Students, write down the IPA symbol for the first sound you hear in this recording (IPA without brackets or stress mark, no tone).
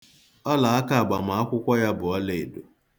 ɔ